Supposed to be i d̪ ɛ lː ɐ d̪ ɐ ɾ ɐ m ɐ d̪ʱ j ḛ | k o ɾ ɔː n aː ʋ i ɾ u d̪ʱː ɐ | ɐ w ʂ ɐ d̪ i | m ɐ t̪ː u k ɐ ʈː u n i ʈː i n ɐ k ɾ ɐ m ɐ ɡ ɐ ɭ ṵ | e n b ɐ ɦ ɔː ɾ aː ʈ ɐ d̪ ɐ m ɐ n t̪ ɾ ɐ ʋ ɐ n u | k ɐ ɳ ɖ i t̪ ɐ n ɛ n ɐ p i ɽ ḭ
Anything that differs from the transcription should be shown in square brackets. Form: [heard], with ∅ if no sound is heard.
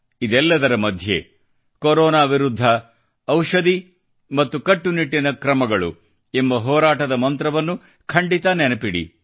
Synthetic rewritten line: i d̪ ɛ lː ɐ d̪ ɐ ɾ ɐ m ɐ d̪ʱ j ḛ | k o ɾ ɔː n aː ʋ i ɾ u d̪ʱː ɐ | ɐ w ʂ ɐ d̪ i | m ɐ t̪ː u k ɐ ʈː u n i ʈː i n ɐ k ɾ ɐ m ɐ ɡ ɐ ɭ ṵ | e [m] b ɐ ɦ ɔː ɾ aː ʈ ɐ d̪ ɐ m ɐ n t̪ ɾ ɐ ʋ ɐ [nː] u | [kʰ] ɐ ɳ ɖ i t̪ ɐ n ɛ n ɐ p i ɽ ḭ